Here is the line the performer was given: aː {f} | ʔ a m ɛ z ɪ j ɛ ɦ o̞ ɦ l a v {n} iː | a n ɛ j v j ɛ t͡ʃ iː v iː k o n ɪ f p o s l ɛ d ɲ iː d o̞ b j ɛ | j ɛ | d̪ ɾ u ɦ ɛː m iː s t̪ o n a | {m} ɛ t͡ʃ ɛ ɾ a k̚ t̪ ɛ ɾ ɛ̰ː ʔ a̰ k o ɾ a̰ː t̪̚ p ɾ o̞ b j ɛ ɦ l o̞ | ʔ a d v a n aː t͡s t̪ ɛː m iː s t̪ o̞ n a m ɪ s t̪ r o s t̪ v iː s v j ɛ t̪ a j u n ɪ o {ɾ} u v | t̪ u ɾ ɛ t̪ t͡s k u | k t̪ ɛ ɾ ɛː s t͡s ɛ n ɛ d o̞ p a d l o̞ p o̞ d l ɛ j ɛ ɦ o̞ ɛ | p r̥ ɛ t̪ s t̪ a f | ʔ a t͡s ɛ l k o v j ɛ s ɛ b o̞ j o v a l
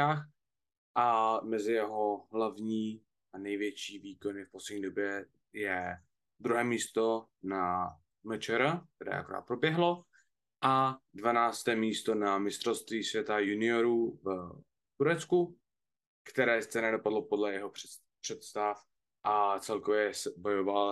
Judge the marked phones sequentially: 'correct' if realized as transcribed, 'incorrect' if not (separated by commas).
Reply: incorrect, incorrect, correct, correct